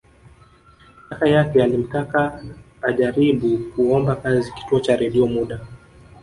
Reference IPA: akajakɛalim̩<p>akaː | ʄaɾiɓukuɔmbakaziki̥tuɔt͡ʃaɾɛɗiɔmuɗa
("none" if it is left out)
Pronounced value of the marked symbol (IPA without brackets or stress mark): t